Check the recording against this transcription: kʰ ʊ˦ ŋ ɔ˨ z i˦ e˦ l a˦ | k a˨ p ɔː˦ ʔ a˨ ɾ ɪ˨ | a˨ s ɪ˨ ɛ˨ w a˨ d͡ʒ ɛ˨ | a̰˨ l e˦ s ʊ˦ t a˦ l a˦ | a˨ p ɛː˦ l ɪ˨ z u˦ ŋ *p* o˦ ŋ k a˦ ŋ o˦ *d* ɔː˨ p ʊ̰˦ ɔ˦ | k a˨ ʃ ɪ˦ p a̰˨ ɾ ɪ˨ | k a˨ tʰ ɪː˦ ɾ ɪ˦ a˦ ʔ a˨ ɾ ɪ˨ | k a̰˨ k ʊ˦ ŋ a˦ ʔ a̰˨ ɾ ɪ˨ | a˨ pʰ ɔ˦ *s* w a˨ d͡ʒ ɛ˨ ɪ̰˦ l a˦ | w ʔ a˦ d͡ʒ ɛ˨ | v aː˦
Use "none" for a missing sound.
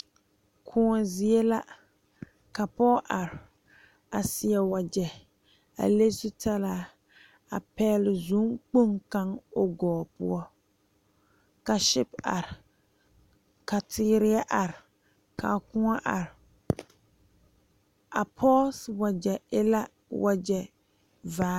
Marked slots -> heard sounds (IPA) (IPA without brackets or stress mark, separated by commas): k͡p, ɡ, s